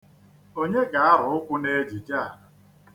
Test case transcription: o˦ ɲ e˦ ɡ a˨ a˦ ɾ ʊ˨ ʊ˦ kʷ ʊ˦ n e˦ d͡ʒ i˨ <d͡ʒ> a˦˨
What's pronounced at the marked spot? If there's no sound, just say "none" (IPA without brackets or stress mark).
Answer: d͡ʒ